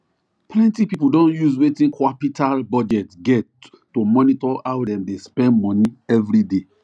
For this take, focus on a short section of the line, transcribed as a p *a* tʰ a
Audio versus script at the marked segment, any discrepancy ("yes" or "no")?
yes